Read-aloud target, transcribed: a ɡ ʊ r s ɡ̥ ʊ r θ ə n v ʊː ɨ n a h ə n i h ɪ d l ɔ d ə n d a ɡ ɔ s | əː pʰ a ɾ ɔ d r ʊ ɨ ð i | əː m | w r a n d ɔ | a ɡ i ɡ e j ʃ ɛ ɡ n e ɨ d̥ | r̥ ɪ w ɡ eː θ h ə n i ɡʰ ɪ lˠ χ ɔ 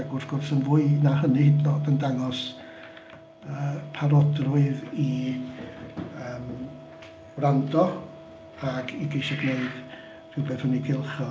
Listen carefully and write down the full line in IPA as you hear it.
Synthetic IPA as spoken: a ɡ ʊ r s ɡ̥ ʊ r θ ə n v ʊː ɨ n a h ə n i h ɪ d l ɔ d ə n d a ŋ ɔ s | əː pʰ a ɾ ɔ d r ʊ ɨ ð i | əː m | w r a n d ɔ | a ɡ i ɡ e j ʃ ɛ ɡ n e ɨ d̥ | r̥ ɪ w b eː θ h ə n i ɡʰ ɪ lˠ χ ɔ